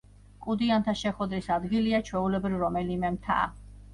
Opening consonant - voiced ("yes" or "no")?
no